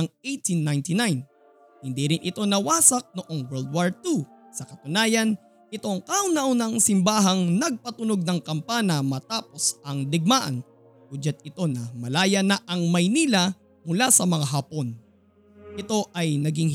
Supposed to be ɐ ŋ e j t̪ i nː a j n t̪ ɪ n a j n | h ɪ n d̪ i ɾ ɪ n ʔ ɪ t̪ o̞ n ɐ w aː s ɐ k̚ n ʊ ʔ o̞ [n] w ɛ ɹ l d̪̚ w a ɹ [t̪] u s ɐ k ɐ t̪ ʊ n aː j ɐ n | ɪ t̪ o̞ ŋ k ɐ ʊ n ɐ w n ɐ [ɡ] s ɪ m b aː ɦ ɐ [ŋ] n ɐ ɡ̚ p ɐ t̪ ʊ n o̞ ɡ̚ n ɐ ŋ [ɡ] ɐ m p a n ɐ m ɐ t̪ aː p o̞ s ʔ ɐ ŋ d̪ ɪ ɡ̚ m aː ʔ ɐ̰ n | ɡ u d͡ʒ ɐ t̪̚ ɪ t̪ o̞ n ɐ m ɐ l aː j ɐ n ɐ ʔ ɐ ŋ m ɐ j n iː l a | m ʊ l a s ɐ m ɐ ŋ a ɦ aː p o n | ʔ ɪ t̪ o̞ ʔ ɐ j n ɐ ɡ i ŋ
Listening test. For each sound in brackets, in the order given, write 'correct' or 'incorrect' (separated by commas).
incorrect, correct, incorrect, correct, incorrect